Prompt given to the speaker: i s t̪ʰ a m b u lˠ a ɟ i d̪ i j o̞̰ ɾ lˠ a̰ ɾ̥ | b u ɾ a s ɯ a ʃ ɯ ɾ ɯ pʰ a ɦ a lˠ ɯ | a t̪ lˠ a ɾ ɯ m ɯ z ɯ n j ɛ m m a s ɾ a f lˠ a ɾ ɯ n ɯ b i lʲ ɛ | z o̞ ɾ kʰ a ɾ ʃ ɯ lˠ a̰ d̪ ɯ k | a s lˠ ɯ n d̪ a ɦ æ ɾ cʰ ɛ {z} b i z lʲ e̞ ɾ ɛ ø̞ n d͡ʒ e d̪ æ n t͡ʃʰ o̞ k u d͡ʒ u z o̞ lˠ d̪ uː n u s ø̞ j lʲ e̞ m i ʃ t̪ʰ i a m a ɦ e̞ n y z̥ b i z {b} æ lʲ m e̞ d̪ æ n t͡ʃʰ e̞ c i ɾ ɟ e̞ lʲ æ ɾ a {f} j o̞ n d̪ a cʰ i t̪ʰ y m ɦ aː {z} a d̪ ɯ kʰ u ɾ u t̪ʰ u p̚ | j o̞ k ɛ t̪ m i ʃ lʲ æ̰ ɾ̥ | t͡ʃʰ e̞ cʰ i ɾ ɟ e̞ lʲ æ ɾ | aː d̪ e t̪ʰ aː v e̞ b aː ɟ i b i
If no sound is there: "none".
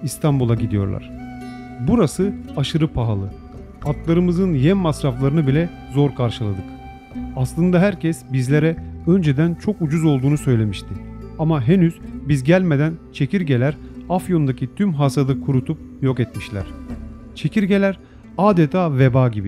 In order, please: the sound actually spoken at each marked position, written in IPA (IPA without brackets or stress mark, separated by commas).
s, ɟ, f, s